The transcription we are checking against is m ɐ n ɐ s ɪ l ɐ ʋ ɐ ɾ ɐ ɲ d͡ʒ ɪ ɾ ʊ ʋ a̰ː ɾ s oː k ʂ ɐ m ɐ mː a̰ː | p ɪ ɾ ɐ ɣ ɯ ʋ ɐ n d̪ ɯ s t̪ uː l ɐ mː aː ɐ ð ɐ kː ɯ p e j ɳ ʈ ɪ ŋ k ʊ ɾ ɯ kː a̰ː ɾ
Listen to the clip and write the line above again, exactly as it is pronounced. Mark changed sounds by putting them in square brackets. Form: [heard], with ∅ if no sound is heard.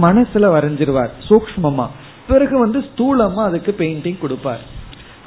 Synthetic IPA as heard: m ɐ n ɐ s ɪ l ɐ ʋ ɐ ɾ ɐ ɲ d͡ʒ ɪ ɾ [ɯ] ʋ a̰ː ɾ s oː k ʂ ɐ m ɐ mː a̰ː | p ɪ ɾ ɐ ɣ ɯ ʋ ɐ n d̪ ɯ s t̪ uː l ɐ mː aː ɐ ð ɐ kː ɯ p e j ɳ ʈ ɪ ŋ k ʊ [ɽ] ɯ [pː] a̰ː ɾ